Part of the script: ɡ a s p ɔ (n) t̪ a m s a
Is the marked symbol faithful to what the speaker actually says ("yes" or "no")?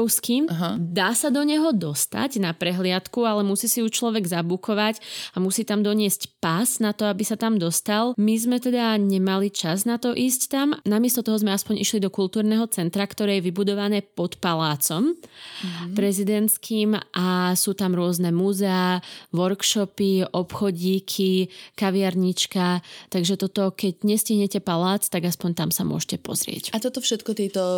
no